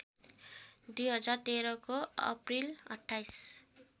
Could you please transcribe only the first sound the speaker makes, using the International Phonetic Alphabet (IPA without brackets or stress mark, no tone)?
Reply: d̪